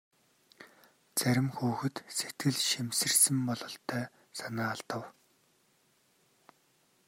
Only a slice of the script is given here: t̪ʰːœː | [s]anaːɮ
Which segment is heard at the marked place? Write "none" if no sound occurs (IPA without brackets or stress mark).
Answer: s